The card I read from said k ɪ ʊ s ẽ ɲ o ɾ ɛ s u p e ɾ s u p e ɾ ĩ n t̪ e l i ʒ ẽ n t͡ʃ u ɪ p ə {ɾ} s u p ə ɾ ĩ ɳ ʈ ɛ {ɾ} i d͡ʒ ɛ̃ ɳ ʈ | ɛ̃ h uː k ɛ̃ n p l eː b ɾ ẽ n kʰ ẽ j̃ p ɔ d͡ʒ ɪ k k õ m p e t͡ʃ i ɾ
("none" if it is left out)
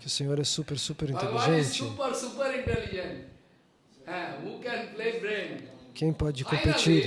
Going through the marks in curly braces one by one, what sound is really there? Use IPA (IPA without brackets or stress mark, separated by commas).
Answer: ɾ, l